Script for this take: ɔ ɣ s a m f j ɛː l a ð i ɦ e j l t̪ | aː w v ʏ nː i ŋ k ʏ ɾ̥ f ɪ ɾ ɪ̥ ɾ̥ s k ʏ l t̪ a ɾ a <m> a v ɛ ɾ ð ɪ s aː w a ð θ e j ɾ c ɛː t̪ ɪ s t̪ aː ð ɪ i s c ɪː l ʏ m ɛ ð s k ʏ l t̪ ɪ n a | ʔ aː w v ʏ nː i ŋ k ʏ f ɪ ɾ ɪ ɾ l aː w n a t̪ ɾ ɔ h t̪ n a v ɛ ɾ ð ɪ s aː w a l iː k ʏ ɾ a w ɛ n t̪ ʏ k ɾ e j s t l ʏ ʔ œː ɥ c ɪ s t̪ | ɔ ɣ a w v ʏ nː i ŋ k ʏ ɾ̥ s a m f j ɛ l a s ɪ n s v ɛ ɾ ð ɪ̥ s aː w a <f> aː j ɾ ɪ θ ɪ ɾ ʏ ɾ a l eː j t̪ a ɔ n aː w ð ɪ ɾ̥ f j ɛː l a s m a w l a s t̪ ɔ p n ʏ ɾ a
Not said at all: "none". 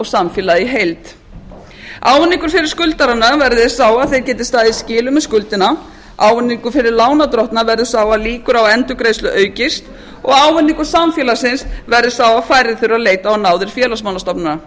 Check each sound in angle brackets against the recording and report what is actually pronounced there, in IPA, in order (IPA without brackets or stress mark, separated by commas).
n, f